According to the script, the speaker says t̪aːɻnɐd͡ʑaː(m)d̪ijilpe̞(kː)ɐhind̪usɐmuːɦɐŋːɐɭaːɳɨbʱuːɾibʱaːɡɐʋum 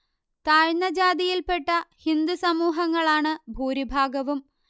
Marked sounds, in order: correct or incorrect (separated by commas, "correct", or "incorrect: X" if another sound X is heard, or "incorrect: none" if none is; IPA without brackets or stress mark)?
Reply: incorrect: none, incorrect: ʈː